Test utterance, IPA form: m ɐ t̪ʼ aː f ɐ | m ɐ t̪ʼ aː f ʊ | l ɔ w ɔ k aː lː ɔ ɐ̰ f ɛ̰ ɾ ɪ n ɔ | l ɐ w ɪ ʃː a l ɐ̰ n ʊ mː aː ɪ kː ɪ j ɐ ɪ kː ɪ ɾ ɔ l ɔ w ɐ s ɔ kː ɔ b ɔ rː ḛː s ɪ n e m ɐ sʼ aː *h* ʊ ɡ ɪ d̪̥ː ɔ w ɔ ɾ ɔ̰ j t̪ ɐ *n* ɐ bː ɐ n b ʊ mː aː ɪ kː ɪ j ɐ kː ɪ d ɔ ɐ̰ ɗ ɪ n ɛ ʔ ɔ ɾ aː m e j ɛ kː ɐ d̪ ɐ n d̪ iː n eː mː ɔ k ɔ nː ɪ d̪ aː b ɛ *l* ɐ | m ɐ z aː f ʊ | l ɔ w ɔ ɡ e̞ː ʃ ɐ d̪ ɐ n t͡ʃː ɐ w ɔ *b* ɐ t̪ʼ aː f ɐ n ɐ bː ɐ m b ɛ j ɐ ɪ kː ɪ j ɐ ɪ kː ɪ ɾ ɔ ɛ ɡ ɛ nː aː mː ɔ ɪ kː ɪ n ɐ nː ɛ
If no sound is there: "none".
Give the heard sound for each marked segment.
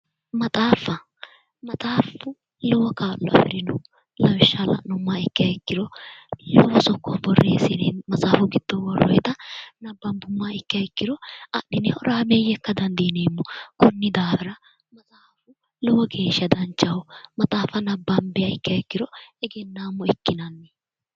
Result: f, n, ɾ, m

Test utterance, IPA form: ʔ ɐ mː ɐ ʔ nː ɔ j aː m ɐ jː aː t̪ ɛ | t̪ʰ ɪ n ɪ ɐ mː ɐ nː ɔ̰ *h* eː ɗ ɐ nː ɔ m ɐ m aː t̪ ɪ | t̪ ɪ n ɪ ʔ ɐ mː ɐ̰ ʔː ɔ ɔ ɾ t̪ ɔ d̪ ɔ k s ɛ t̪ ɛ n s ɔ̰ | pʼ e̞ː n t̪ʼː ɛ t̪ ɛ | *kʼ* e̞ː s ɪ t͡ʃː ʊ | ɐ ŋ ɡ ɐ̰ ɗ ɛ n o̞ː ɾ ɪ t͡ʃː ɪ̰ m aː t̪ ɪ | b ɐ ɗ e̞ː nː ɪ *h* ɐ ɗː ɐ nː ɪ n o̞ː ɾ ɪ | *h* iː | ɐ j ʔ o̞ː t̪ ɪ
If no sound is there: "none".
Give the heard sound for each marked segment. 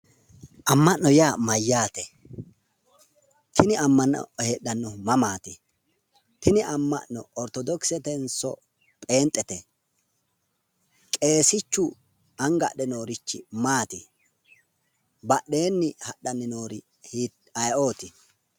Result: h, kʼ, h, h

